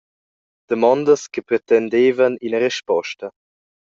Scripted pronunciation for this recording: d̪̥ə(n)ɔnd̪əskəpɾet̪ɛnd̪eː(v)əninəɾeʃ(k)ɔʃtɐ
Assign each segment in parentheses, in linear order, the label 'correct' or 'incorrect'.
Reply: incorrect: m, correct, incorrect: p

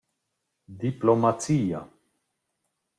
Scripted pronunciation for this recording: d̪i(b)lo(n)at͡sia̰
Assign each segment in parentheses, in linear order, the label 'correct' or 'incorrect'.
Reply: incorrect: p, incorrect: m

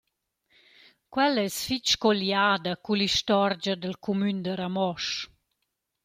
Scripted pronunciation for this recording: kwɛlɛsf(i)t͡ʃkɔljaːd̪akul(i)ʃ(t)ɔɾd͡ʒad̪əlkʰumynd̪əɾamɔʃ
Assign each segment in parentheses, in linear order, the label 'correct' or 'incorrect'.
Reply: correct, correct, correct

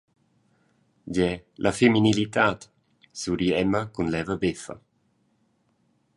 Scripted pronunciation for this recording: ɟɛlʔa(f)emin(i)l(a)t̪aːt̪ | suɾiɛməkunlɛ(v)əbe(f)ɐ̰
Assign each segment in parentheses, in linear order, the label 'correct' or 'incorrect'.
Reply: correct, correct, incorrect: i, correct, correct

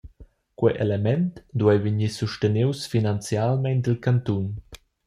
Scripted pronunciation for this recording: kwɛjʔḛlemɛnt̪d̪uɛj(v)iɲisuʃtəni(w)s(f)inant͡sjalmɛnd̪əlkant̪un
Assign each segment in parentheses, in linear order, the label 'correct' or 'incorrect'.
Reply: correct, correct, correct

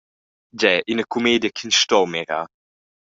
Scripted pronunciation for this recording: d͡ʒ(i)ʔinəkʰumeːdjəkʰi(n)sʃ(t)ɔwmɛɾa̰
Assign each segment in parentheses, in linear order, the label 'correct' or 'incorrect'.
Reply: incorrect: ɛ, correct, correct

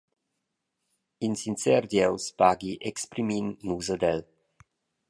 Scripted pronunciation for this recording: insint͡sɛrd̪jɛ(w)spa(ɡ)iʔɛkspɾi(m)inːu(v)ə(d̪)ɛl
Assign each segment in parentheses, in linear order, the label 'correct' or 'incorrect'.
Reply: correct, correct, correct, incorrect: z, correct

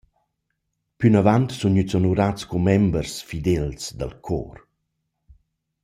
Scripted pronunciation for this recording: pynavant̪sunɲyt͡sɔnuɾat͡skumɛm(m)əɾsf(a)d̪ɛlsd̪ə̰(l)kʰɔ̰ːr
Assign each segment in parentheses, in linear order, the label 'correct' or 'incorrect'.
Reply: incorrect: b, incorrect: i, correct

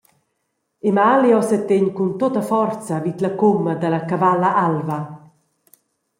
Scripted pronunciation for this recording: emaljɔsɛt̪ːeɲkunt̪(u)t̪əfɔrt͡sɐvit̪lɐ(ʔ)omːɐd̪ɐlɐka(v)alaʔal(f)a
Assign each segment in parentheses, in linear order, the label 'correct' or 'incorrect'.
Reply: incorrect: o, incorrect: k, correct, incorrect: v

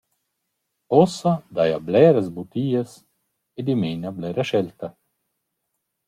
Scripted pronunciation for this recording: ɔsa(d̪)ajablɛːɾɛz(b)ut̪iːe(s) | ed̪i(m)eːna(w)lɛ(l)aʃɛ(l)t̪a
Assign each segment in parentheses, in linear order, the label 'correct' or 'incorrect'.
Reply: correct, correct, correct, correct, incorrect: b, incorrect: ɾ, correct

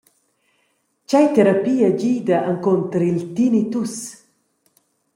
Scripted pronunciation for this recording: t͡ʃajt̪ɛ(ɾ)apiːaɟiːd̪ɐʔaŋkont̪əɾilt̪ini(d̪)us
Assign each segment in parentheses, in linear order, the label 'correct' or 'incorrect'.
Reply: correct, incorrect: t̪

